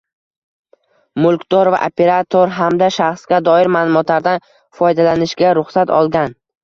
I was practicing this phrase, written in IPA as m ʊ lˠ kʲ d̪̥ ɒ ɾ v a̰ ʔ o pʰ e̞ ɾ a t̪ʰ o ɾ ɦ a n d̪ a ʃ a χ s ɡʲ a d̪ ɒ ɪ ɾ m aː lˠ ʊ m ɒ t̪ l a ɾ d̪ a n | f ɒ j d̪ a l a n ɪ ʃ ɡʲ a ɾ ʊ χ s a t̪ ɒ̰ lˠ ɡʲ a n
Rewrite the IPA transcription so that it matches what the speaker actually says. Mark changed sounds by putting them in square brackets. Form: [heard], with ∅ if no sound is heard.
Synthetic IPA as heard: m ʊ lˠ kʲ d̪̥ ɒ ɾ v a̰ ʔ o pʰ e̞ ɾ a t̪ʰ o ɾ ɦ a [m] d̪ a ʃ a χ s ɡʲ a d̪ ɒ ɪ ɾ m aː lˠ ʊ m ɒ t̪ l a ɾ d̪ a n | f ɒ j d̪ a l a n ɪ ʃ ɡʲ a ɾ ʊ χ s a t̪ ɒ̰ lˠ ɡʲ a n

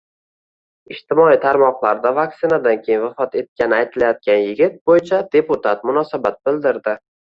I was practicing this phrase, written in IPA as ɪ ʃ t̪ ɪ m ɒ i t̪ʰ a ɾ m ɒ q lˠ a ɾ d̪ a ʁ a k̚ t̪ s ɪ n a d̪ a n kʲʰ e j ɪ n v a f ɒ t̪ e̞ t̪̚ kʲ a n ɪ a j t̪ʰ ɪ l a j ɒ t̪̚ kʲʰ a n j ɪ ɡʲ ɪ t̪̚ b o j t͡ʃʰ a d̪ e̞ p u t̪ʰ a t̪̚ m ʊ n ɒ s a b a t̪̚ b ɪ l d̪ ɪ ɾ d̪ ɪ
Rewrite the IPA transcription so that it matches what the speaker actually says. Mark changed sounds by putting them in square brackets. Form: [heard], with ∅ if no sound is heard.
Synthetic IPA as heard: ɪ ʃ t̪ ɪ m ɒ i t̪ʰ a ɾ m ɒ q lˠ a ɾ d̪ a [v] a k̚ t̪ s ɪ n a d̪ a n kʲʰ e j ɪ n v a f ɒ t̪ e̞ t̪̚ kʲ a n ɪ a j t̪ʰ ɪ l a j ɒ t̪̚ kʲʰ a n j ɪ ɡʲ ɪ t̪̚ b o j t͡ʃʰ a d̪ e̞ p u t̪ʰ a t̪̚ m ʊ n ɒ s a b a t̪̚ b ɪ l d̪ ɪ ɾ d̪ ɪ

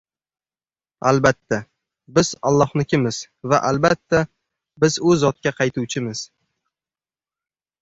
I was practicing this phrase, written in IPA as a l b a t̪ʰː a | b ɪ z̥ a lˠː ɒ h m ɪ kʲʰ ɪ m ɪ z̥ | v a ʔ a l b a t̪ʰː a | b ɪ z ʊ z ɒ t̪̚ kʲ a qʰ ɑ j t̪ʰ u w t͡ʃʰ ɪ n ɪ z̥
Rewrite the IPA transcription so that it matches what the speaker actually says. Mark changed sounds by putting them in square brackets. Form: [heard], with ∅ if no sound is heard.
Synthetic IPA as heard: a l b a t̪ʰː a | b ɪ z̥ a lˠː ɒ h [n] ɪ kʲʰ ɪ m ɪ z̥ | v a ʔ a l b a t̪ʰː a | b ɪ z ʊ z ɒ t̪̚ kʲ a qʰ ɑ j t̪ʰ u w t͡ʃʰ ɪ [m] ɪ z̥

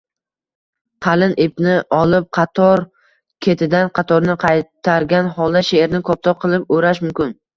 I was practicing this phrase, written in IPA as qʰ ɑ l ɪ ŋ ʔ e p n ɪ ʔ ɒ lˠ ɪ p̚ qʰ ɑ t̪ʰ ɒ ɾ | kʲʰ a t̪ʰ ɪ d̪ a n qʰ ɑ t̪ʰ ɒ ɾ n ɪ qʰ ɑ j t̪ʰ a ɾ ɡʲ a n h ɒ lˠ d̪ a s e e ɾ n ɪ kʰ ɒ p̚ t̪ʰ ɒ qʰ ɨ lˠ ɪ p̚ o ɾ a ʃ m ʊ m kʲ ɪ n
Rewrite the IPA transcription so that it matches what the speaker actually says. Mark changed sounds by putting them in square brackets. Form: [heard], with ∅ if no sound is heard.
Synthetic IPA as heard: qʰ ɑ l ɪ [n] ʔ e p n ɪ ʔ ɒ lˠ ɪ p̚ qʰ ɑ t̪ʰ ɒ ɾ | kʲʰ [e] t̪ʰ ɪ d̪ a n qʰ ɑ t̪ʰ ɒ ɾ n ɪ qʰ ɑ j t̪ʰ a ɾ ɡʲ a n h ɒ lˠ d̪ a [ʃ] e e ɾ n ɪ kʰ ɒ p̚ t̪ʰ ɒ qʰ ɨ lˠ ɪ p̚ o ɾ a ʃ m ʊ m kʲ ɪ n

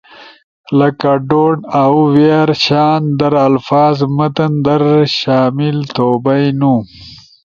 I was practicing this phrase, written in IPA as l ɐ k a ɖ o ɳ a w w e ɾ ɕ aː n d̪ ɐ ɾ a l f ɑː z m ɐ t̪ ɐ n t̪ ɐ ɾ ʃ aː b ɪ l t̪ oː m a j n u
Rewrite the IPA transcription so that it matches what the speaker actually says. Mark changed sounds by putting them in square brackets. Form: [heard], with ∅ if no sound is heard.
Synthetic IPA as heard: l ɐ k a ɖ o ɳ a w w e ɾ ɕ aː n d̪ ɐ ɾ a l f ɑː z m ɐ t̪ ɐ n [d̪] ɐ ɾ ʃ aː [m] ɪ l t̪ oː [b] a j n u

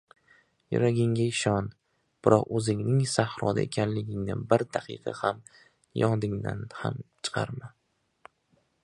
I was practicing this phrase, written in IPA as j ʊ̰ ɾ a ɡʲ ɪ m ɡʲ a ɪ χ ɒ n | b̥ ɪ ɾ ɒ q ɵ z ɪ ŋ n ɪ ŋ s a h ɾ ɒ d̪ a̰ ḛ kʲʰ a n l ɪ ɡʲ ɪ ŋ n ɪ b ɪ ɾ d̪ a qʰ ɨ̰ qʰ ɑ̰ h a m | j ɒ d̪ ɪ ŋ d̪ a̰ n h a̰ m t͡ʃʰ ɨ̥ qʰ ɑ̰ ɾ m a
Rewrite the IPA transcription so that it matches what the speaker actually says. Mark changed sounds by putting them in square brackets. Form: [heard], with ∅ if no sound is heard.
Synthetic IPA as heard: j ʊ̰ ɾ a ɡʲ ɪ [ŋ] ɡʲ a ɪ [ʃ] ɒ n | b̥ ɪ ɾ ɒ q ɵ z ɪ ŋ n ɪ ŋ s a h ɾ ɒ d̪ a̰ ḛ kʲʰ a n l ɪ ɡʲ ɪ ŋ n ɪ b ɪ ɾ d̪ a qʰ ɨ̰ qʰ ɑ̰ h a m | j ɒ d̪ ɪ ŋ d̪ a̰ n h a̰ m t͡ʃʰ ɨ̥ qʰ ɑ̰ ɾ m a

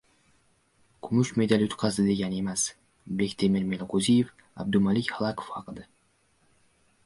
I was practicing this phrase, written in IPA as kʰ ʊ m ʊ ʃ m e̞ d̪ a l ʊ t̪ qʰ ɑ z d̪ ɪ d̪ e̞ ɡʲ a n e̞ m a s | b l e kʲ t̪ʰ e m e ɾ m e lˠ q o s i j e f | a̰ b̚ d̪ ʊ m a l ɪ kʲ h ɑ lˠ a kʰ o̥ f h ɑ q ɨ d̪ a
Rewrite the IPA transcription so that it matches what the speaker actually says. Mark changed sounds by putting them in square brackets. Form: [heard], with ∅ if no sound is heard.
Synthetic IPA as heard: kʰ ʊ m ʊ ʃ m e̞ d̪ a l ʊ t̪ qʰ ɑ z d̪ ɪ d̪ e̞ ɡʲ a n e̞ m a s | b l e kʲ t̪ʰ e m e ɾ m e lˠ q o [z] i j e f | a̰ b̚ d̪ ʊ m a l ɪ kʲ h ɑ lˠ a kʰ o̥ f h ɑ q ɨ d̪ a

